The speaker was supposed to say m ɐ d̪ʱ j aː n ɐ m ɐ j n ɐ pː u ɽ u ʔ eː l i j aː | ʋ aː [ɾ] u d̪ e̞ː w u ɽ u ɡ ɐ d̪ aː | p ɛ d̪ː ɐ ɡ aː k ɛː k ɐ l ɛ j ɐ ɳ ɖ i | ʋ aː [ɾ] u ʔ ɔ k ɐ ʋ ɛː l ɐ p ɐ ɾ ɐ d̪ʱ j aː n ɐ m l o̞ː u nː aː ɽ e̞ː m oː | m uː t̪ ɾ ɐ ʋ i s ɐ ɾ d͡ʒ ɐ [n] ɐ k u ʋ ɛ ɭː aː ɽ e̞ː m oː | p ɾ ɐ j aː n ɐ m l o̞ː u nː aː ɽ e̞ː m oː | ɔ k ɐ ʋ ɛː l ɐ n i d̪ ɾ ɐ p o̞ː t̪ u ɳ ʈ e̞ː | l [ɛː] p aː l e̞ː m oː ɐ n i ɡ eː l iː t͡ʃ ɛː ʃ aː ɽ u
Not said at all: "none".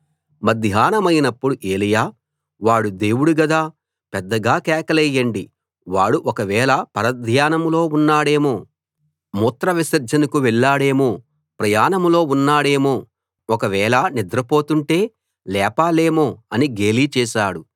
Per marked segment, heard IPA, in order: ɽ, ɽ, n, ɛː

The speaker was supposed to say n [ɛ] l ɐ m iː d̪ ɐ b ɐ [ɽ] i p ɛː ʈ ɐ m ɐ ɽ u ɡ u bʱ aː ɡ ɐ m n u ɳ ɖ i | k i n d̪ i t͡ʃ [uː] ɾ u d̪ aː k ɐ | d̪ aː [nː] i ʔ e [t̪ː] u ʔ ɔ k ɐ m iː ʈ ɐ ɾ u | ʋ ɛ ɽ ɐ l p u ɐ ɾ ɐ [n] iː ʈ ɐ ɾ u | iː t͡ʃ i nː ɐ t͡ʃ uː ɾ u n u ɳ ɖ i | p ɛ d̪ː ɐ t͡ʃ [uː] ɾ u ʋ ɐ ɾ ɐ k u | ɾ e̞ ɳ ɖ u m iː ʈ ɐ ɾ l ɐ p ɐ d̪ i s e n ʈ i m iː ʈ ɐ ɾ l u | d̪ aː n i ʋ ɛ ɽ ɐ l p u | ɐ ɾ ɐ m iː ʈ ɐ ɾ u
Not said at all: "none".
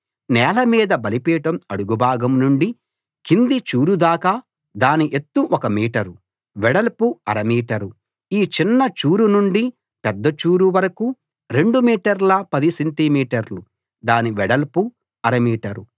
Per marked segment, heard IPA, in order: ɛː, l, uː, n, t̪ː, m, uː

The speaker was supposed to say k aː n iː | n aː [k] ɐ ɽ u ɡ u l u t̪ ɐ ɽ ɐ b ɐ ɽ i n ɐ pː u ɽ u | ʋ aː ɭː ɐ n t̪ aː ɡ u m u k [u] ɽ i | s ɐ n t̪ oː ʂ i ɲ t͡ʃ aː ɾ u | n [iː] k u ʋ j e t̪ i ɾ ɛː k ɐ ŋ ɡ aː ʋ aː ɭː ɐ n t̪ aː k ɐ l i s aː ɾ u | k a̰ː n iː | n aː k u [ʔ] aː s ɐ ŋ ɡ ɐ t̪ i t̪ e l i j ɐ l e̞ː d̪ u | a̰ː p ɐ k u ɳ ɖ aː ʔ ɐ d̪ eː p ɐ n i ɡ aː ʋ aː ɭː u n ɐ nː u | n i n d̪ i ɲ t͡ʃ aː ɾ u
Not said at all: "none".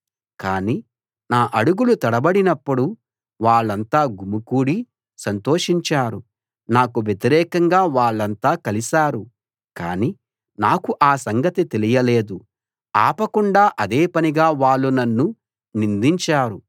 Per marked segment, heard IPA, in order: ʔ, uː, aː, ʔ

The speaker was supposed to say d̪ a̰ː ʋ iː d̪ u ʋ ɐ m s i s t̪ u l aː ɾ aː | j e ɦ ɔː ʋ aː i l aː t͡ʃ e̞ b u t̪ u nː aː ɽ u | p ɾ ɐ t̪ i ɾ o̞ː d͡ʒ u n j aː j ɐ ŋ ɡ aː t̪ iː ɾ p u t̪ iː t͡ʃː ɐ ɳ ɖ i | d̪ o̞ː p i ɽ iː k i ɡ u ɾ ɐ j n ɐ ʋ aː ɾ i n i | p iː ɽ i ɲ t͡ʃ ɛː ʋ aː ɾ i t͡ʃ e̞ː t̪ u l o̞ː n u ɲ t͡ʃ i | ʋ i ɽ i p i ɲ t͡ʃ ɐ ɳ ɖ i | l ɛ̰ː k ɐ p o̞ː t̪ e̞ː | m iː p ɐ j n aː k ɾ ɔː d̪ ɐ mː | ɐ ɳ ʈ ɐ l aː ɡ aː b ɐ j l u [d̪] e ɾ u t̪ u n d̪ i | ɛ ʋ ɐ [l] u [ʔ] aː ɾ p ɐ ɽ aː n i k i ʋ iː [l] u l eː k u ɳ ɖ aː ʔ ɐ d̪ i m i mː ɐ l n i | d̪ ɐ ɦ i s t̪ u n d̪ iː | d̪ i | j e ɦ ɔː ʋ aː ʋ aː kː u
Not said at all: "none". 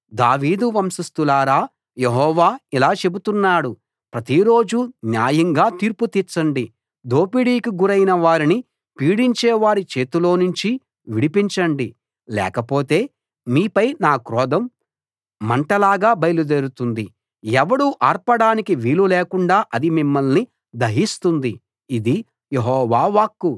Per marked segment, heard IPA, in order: d̪, ɽ, ʔ, l

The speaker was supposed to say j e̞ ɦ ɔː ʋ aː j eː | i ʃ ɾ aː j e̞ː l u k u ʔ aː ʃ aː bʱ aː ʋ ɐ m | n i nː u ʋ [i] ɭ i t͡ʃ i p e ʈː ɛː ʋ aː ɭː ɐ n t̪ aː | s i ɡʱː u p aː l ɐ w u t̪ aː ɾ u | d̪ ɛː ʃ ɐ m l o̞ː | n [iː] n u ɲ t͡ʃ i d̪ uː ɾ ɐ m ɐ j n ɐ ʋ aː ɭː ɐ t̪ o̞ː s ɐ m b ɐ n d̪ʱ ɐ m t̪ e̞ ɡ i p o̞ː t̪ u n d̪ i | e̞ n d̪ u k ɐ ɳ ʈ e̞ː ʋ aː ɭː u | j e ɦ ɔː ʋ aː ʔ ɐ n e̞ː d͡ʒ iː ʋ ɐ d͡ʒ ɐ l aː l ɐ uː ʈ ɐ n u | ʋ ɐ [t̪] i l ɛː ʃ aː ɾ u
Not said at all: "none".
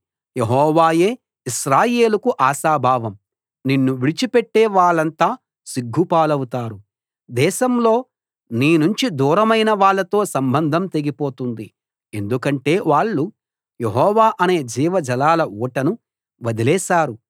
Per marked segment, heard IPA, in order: i, iː, d̪

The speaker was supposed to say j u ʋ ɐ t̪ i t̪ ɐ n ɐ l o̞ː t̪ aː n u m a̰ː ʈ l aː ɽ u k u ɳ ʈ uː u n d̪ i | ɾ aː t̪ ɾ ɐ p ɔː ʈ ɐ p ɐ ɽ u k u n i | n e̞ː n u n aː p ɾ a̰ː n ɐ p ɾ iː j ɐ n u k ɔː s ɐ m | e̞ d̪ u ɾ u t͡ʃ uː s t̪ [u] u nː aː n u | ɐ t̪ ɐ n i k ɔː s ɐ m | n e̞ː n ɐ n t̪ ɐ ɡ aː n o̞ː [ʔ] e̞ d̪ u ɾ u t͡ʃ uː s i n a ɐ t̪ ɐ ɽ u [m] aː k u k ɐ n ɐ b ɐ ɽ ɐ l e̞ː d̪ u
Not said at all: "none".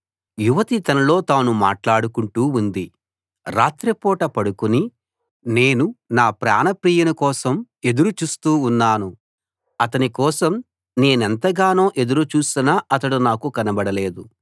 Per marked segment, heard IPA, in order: uː, ʔ, n

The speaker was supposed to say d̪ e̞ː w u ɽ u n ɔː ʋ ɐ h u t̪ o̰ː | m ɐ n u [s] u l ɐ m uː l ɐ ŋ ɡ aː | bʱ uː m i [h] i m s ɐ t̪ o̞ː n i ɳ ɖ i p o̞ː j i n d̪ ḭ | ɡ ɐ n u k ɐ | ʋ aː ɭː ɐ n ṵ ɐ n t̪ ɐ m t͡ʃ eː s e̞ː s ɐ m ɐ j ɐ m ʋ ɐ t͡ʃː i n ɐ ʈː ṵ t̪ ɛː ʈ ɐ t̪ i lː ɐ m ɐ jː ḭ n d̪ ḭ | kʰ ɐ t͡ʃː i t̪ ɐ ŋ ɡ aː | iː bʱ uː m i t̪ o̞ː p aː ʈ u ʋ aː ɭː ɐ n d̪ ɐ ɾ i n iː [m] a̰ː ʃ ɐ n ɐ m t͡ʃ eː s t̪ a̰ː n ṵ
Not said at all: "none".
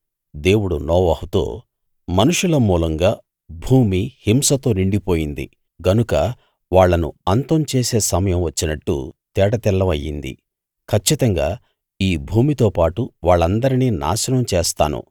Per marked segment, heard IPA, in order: ʂ, h, n

